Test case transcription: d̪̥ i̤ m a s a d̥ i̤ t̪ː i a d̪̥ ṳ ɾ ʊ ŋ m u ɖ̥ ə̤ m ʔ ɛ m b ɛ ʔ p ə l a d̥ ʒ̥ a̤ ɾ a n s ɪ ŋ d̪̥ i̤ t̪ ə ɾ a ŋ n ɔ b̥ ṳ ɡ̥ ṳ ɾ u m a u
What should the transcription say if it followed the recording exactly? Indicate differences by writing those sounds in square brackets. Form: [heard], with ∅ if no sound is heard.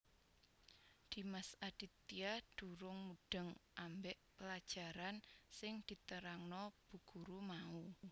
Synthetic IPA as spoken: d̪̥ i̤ m a s a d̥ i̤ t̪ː i a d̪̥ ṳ ɾ ʊ ŋ m u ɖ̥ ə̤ [ŋ] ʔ [a] m b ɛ ʔ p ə l a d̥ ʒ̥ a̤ ɾ a n s ɪ ŋ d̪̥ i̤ t̪ ə ɾ a ŋ n ɔ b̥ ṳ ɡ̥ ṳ ɾ u m a u